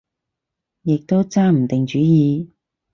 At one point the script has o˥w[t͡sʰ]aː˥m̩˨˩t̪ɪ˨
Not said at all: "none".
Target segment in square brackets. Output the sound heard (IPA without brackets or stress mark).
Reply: t͡s